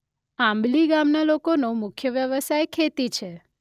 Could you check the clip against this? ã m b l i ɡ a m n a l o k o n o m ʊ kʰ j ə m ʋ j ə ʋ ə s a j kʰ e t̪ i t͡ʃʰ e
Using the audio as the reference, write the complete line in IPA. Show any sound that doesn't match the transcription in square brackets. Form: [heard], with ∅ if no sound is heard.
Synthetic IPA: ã m b l i ɡ a m n a l o k o n o m ʊ kʰ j ə [∅] ʋ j ə ʋ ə s a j kʰ e t̪ i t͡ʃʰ e